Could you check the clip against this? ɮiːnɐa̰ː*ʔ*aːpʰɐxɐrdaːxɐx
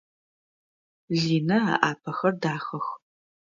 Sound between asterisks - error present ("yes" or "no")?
no